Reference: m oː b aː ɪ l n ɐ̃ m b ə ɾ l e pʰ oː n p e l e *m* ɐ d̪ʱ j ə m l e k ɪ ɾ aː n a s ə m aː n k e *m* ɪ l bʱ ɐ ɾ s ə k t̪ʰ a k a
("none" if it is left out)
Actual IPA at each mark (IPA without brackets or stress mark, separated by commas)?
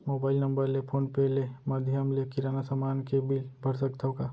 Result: m, b